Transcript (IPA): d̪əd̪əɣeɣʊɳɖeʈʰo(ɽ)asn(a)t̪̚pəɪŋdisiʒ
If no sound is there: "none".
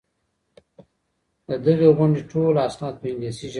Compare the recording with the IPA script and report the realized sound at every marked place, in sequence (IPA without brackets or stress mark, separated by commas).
l, ɑ